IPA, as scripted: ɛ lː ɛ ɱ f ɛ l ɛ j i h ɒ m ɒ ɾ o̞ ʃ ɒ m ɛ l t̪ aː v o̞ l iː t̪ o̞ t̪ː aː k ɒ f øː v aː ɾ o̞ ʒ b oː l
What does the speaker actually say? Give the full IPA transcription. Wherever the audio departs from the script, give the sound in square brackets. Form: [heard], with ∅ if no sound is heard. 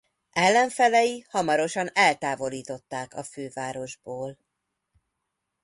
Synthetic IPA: ɛ lː ɛ ɱ f ɛ l ɛ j i h ɒ m ɒ ɾ o̞ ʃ ɒ [n] ɛ l t̪ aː v o̞ l iː t̪ o̞ t̪ː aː k ɒ f øː v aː ɾ o̞ ʒ b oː l